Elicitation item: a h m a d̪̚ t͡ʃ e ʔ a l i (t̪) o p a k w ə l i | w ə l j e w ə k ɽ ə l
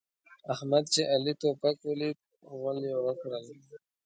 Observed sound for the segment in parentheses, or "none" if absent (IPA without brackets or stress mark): t̪